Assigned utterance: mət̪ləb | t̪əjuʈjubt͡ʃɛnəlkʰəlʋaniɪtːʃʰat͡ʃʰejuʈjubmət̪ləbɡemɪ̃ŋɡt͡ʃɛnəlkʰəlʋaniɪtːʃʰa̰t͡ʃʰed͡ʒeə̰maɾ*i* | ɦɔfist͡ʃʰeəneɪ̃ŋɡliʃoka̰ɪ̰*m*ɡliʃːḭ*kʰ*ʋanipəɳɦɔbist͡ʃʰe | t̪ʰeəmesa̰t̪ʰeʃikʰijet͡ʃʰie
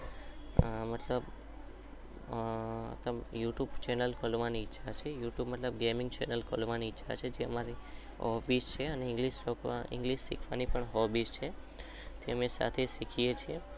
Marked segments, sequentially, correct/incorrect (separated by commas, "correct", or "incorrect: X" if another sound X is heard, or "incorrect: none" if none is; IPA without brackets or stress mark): correct, incorrect: ŋ, correct